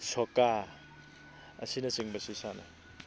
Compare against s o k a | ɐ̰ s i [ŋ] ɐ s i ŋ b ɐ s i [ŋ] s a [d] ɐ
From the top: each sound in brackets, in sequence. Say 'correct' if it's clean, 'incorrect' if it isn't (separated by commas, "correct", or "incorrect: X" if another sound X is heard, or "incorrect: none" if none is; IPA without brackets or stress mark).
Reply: incorrect: n, incorrect: none, incorrect: n